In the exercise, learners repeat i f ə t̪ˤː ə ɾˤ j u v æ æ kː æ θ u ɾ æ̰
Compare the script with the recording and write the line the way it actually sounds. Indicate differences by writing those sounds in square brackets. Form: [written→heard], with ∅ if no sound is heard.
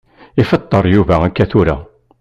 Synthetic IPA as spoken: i f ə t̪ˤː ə ɾˤ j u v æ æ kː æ θ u ɾ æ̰